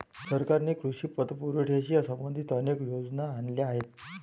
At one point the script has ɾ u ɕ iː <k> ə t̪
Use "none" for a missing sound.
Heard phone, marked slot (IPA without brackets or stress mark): p